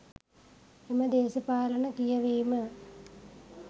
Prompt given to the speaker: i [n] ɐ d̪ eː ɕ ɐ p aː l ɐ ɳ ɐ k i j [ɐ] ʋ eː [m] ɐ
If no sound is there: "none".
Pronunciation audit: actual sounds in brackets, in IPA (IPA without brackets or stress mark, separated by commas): m, ɐ, m